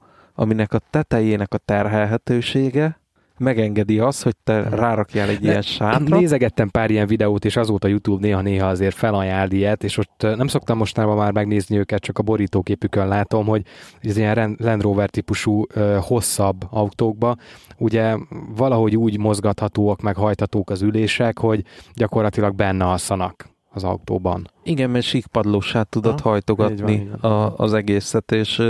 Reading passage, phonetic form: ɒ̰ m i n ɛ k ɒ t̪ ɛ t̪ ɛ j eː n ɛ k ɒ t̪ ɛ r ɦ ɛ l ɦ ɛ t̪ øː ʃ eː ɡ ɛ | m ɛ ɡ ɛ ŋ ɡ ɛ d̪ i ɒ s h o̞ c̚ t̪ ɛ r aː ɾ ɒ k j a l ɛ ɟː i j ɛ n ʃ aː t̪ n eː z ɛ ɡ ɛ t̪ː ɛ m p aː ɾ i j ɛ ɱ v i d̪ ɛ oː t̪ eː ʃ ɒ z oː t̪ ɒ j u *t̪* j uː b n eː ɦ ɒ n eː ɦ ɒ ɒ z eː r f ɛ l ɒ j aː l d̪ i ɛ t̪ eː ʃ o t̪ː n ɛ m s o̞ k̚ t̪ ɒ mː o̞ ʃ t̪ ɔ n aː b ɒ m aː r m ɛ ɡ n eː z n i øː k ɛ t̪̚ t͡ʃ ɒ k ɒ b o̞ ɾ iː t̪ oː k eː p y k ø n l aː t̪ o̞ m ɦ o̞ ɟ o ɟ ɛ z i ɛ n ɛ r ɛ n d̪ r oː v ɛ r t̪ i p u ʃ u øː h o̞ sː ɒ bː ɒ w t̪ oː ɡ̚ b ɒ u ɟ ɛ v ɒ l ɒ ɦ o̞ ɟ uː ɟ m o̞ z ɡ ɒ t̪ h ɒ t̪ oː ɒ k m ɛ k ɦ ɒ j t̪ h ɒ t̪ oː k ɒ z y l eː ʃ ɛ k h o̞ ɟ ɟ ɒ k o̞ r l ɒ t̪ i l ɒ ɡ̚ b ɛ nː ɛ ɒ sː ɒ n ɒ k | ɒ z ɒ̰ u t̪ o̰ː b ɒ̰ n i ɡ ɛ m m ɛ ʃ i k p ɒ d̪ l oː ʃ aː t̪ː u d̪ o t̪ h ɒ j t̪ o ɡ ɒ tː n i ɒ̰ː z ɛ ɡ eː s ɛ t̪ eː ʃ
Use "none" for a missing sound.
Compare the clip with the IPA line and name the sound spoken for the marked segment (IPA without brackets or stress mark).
t̪